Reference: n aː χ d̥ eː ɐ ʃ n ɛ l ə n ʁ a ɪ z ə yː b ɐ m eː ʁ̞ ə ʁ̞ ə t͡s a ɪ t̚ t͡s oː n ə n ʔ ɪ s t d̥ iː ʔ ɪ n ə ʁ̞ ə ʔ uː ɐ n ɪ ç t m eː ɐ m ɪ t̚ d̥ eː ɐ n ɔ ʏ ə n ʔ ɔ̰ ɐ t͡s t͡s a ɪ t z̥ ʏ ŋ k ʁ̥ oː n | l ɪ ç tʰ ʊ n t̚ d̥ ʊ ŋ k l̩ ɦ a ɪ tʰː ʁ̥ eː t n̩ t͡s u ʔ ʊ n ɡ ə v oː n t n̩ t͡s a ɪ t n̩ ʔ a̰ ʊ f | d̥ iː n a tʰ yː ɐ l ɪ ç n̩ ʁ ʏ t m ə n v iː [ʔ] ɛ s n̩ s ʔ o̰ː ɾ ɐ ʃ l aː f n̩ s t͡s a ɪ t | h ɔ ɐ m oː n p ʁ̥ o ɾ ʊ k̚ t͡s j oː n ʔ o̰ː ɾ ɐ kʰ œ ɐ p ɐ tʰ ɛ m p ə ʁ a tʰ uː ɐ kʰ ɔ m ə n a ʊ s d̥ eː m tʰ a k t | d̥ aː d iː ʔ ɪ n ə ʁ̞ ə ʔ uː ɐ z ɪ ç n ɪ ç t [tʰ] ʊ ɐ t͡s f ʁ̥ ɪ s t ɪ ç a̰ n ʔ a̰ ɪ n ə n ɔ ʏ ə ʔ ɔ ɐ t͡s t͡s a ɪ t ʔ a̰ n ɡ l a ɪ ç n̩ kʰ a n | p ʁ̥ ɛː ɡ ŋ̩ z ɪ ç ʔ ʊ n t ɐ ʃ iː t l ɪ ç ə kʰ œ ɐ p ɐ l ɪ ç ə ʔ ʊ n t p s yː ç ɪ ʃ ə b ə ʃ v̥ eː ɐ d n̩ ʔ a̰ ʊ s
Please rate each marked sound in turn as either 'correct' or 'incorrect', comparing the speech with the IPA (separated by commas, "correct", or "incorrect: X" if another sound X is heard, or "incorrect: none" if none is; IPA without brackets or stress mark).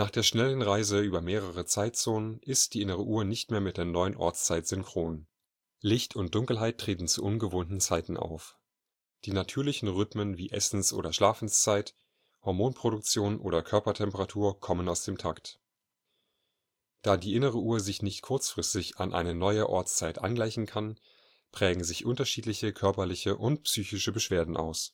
correct, incorrect: kʰ